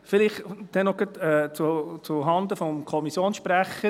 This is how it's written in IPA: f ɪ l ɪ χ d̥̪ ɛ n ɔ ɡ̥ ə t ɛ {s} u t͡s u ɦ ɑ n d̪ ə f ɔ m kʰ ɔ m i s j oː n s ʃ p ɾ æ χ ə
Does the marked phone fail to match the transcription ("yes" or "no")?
yes